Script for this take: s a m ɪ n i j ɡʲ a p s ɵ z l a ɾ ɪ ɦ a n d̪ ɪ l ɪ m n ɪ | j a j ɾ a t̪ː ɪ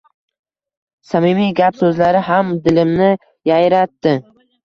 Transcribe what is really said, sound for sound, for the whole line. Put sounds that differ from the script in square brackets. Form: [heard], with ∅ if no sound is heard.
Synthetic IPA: s a m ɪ [m] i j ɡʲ a p s ɵ z l a ɾ ɪ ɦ a [m] d̪ ɪ l ɪ m n ɪ | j a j ɾ a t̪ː ɪ